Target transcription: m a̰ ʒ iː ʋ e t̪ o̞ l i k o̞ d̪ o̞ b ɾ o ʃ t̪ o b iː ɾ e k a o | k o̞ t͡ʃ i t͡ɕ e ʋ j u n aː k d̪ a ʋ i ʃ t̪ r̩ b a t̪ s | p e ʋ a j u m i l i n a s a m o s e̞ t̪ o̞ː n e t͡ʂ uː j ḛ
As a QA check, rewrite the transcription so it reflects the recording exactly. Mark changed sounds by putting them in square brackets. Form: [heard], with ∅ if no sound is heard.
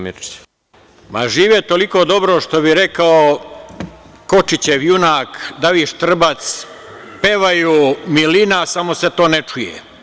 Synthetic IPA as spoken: m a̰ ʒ iː ʋ e t̪ o̞ l i k o̞ d̪ o̞ b ɾ o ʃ t̪ o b [i] ɾ e k a o | k o̞ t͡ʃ i t͡ɕ e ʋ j u n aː k d̪ a ʋ i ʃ t̪ r̩ b a t̪ s | p e ʋ a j u m i l i n a s a m o s e̞ t̪ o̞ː n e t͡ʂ [u] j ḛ